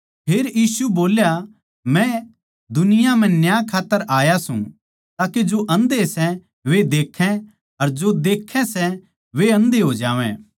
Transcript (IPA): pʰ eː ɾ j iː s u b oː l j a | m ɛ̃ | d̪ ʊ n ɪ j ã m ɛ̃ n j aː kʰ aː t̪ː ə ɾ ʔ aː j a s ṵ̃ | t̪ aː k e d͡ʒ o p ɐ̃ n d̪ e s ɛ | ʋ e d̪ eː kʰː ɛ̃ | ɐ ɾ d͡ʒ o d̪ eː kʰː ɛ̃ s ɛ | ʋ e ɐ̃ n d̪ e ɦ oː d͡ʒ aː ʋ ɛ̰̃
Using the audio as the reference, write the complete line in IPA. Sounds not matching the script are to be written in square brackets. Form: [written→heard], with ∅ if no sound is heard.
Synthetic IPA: pʰ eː ɾ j iː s u b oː l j a | m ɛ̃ | d̪ ʊ n ɪ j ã m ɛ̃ n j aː kʰ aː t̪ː ə ɾ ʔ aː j a s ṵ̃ | t̪ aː k e d͡ʒ o [p→ʔ] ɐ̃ n d̪ e s ɛ | ʋ e d̪ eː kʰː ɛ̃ | ɐ ɾ d͡ʒ o d̪ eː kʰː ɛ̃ s ɛ | ʋ e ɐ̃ n d̪ e ɦ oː d͡ʒ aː ʋ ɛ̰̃